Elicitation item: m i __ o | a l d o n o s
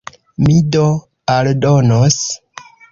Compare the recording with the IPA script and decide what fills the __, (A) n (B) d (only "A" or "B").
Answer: B